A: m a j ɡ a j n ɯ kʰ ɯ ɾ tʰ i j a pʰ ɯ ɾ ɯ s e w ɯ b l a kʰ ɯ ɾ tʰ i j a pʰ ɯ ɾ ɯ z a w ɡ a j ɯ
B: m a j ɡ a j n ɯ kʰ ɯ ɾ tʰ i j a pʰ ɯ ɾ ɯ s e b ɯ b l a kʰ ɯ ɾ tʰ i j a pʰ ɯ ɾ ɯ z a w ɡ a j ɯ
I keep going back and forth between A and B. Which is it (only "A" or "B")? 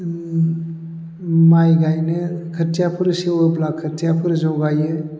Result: A